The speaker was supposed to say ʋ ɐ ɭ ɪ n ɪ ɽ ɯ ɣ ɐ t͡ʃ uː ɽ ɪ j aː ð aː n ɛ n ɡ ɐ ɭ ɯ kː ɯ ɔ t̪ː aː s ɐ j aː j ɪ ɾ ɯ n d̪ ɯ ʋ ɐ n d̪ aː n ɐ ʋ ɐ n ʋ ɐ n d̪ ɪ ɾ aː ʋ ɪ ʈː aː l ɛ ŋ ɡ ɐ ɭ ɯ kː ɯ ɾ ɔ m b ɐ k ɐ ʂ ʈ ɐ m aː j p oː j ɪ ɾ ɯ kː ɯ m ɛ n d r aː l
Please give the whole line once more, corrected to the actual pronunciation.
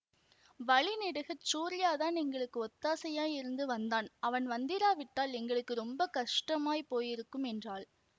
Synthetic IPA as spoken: ʋ ɐ ɭ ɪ n ɪ ɽ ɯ ɣ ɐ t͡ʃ uː ɾ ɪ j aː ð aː n ɛ ŋ ɡ ɐ ɭ ɯ kː ɯ ɔ t̪ː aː s ɐ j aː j ɪ ɾ ɯ n d̪ ɯ ʋ ɐ n d̪ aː n ɐ ʋ ɐ n ʋ ɐ n d̪ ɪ ɾ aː ʋ ɪ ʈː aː l ɛ ŋ ɡ ɐ ɭ ɯ kː ɯ ɾ ɔ m b ɐ k ɐ ʂ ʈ ɐ m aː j p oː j ɪ ɾ ɯ kː ɯ m ɛ n d r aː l